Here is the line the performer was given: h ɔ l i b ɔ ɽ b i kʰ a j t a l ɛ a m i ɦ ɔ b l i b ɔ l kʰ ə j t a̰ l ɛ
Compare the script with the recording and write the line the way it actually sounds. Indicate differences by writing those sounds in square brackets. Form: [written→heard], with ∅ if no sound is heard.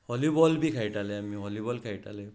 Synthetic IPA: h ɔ l i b ɔ [ɽ→l] b i kʰ a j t a l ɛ a m i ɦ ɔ [b→∅] l i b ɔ l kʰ [ə→a] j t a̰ l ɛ